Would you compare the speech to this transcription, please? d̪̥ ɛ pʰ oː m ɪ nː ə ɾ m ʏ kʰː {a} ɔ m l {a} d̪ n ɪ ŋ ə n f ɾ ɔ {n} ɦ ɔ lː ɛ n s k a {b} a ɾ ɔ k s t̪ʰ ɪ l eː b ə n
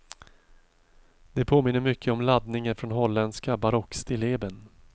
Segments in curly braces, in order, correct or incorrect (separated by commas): incorrect, correct, correct, correct